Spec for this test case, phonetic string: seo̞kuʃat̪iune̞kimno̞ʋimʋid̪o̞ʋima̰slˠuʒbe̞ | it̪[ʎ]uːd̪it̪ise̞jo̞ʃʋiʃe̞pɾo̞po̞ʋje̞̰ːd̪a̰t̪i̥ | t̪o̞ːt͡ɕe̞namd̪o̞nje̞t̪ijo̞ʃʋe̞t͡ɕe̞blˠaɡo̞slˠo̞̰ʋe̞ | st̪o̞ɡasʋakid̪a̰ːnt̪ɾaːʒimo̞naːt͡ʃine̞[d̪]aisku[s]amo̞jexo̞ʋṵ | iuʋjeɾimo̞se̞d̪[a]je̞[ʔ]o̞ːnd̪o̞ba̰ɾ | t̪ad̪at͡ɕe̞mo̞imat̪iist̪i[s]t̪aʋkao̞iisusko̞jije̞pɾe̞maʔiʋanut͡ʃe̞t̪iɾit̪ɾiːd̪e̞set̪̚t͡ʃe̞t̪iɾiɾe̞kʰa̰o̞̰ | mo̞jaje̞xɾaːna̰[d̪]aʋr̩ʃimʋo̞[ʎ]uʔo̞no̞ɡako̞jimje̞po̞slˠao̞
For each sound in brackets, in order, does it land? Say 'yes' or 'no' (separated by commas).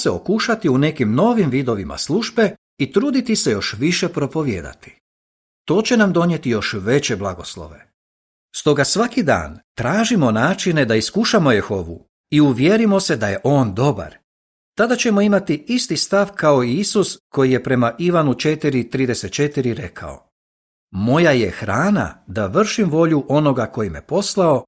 no, yes, no, yes, yes, yes, yes, yes